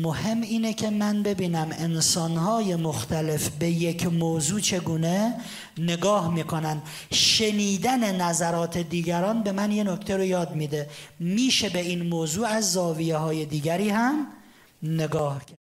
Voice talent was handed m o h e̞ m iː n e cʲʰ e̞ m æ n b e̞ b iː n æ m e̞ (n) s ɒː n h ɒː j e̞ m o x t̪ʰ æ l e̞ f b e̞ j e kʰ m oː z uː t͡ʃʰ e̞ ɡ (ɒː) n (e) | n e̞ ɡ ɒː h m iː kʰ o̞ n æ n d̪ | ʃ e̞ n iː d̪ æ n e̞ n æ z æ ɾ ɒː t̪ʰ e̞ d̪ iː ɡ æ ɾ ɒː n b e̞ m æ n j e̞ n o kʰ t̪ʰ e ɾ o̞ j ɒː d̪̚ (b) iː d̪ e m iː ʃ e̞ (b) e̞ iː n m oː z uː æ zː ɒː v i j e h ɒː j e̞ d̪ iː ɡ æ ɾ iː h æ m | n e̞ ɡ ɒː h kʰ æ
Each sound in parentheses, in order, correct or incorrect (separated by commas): correct, incorrect, correct, incorrect, correct